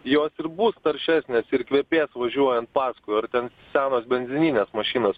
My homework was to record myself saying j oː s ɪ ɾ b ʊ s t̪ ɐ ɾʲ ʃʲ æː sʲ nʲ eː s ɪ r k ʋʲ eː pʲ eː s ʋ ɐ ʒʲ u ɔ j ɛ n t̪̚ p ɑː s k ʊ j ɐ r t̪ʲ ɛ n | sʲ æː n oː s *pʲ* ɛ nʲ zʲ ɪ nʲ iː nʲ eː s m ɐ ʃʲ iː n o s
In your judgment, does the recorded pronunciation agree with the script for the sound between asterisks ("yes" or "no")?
no